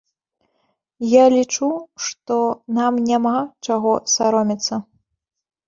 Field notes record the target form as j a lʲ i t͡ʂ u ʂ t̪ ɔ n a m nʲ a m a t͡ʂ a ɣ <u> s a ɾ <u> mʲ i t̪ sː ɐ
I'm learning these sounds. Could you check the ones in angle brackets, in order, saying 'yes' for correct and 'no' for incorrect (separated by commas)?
no, no